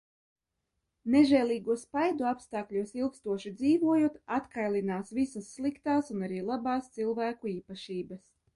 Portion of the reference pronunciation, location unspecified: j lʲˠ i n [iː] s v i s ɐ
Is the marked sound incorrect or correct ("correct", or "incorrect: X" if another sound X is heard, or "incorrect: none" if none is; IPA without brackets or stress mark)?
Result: incorrect: aː